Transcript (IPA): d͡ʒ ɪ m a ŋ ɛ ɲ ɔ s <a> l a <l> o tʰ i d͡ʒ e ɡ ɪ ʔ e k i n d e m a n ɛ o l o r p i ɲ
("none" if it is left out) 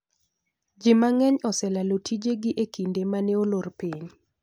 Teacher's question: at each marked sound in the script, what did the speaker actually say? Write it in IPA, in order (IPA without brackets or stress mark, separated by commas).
ɛ, l